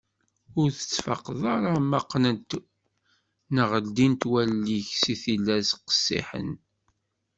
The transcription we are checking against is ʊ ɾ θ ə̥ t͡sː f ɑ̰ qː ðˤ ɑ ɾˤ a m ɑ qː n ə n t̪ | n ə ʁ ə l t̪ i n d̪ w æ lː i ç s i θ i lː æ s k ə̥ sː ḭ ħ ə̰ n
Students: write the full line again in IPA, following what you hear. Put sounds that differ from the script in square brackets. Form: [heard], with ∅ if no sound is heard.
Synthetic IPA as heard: ʊ ɾ θ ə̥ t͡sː f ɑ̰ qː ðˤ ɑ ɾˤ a m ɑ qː n ə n t̪ | n ə ʁ ə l [d̪] i n [t̪] w æ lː i ç s i θ i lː æ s [q] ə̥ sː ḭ ħ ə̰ n